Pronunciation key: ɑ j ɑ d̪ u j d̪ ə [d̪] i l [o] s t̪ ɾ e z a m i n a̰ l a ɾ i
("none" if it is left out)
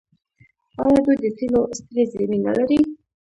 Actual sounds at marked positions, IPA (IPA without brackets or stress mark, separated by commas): t̪, o